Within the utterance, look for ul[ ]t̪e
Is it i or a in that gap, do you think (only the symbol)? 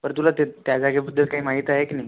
a